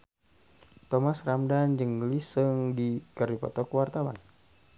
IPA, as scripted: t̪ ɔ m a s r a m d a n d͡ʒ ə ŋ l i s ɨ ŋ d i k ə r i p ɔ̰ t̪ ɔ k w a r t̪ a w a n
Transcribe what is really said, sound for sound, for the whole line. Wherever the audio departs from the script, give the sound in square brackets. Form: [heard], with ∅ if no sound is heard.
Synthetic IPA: t̪ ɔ m a s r a m d a n d͡ʒ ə ŋ l i s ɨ ŋ d i k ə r i p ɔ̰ t̪ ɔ k w a r t̪ a w a n